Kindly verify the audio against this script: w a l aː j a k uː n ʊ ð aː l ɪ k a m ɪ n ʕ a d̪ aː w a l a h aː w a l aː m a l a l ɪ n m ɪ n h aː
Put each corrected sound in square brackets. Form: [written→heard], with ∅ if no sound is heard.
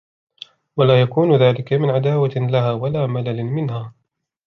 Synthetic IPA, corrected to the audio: w a l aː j a k uː n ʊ ð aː l ɪ k a m ɪ n ʕ a d̪ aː w a l a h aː w a l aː m a l a l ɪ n m ɪ n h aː